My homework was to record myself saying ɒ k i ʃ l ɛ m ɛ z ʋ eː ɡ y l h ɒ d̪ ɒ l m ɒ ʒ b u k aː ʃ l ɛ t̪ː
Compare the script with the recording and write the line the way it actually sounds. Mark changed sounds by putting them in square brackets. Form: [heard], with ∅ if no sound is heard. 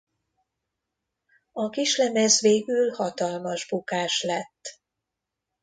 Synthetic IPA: ɒ k i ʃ l ɛ m ɛ z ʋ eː ɡ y l h ɒ [t̪] ɒ l m ɒ ʒ b u k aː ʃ l ɛ t̪ː